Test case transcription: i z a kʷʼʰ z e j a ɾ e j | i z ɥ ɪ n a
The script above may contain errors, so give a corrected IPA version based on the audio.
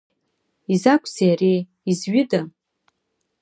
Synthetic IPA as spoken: i z a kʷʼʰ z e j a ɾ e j | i z ɥ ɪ d a

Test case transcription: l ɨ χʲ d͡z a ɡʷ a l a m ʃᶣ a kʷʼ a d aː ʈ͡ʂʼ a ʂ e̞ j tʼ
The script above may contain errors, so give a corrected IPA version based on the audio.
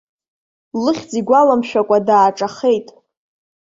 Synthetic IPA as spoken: l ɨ χʲ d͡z i ɡʷ a l a m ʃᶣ a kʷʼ a d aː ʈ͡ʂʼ a χ e̞ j tʼ

